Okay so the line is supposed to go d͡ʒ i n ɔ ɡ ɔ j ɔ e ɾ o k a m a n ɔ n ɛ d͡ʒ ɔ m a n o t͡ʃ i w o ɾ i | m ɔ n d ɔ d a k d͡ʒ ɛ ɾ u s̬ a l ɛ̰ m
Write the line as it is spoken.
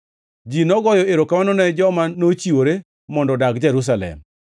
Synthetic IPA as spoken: d͡ʒ i n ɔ ɡ ɔ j ɔ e ɾ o k a m a n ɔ n ɛ d͡ʒ ɔ m a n o t͡ʃ i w o ɾ e | m ɔ n d ɔ d a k d͡ʒ ɛ ɾ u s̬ a l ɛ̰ m